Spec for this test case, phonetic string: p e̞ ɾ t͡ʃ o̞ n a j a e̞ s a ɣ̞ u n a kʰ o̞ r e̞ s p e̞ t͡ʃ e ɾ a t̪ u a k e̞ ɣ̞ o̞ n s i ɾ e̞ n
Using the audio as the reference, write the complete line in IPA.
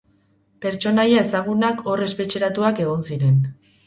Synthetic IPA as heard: p e̞ ɾ t͡ʃ o̞ n a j a e̞ s a ɣ̞ u n a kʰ o̞ r e̞ s p e̞ t͡ʃ e ɾ a t̪ u a k e̞ ɣ̞ o̞ n s i ɾ e̞ n